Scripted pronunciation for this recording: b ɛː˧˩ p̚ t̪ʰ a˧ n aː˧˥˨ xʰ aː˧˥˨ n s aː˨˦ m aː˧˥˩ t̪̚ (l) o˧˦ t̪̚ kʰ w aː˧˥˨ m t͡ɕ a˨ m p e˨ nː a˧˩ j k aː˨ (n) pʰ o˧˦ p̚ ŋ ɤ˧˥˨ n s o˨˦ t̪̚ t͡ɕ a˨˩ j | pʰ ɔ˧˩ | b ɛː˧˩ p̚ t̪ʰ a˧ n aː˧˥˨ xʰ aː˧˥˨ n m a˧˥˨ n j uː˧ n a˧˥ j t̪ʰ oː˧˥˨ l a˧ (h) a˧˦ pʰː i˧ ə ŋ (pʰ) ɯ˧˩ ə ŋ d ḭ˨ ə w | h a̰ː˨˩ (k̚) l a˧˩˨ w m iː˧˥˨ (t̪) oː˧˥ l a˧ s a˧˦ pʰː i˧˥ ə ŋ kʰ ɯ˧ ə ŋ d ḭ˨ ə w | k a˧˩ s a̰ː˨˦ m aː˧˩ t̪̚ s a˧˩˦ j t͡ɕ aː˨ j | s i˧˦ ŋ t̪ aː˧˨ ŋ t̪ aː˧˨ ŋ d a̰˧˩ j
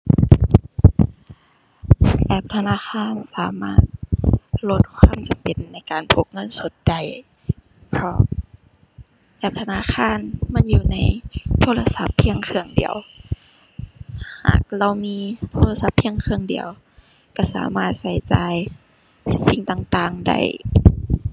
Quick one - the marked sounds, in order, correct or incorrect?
correct, correct, incorrect, incorrect, correct, incorrect

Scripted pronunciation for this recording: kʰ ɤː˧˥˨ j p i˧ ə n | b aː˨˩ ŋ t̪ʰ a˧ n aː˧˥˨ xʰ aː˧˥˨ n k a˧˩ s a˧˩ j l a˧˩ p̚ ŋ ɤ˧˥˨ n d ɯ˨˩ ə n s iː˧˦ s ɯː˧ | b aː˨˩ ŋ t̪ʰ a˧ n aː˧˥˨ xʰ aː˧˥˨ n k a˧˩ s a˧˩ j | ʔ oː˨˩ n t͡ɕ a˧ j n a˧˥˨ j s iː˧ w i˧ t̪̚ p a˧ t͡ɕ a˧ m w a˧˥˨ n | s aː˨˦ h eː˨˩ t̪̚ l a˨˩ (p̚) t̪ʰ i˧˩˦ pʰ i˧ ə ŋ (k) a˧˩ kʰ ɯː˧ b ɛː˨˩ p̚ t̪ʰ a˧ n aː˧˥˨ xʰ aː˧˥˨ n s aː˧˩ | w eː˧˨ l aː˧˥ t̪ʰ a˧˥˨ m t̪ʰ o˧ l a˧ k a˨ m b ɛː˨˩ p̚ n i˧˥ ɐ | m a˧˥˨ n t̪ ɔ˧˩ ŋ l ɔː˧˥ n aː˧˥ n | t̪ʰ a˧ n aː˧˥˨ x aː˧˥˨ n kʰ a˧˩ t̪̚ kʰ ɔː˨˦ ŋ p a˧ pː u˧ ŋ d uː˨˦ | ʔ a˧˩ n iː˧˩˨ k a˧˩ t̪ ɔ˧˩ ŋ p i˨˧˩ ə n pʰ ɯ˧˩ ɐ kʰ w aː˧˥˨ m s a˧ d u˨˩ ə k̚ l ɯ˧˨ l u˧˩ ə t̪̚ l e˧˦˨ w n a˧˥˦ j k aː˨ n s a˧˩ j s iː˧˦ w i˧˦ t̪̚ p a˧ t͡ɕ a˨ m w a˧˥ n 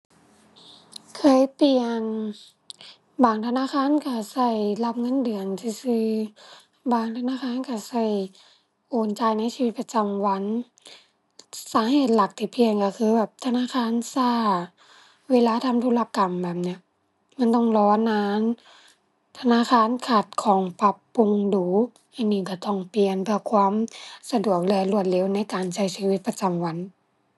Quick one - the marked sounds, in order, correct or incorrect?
incorrect, correct

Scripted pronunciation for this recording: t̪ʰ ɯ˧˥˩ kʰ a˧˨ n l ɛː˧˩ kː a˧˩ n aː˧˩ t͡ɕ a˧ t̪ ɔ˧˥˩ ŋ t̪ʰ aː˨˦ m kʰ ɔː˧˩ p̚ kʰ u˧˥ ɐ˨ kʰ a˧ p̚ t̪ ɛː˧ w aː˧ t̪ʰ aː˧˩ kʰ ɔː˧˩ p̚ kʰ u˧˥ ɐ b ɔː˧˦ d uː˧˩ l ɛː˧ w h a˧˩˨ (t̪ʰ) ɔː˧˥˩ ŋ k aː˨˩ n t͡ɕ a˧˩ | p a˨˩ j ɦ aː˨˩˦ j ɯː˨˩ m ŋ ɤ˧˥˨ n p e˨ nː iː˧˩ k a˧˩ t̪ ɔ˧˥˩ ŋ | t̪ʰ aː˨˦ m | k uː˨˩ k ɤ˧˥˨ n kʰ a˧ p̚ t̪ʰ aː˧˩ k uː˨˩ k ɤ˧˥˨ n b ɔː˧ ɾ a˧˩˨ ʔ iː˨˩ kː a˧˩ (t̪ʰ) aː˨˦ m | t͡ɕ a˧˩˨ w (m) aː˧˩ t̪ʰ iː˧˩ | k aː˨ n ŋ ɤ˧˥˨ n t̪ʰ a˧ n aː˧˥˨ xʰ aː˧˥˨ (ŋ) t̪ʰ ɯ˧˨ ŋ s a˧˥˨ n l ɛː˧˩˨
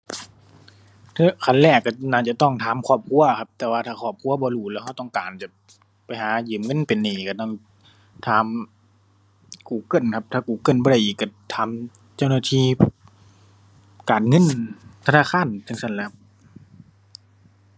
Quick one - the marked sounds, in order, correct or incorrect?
incorrect, correct, incorrect, incorrect

